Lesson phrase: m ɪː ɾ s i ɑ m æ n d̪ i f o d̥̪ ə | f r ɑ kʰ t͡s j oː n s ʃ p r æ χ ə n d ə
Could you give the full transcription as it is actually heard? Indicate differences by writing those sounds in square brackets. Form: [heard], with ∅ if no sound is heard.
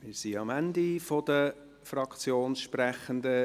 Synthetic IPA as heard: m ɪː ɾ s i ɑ m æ n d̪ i f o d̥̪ ə | f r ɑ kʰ t͡s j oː n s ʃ p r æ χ ə n d ə